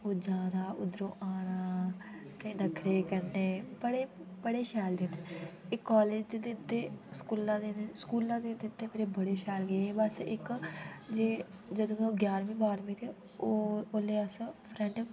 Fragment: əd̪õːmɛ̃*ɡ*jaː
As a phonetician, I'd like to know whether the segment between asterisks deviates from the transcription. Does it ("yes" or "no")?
no